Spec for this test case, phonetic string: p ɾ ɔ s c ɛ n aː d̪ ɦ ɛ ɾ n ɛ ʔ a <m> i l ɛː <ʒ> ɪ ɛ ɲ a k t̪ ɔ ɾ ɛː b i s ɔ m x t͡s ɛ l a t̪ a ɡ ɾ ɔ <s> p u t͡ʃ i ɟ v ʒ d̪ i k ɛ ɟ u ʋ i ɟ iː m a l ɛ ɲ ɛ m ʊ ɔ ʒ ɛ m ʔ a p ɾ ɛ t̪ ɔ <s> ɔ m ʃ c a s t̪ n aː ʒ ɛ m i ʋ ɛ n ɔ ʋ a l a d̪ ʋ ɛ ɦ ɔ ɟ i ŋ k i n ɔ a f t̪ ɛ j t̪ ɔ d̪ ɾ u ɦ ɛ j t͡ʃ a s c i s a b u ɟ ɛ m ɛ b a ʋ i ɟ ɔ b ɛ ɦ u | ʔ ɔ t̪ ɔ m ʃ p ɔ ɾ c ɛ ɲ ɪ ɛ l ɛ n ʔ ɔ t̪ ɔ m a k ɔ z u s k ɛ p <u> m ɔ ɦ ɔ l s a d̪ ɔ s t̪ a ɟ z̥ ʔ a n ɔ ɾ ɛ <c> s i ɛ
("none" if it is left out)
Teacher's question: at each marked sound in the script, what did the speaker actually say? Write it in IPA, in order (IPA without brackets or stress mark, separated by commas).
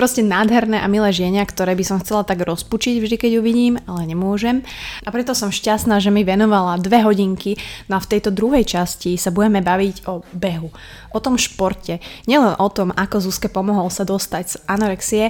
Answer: m, ʒ, s, s, ɔ, k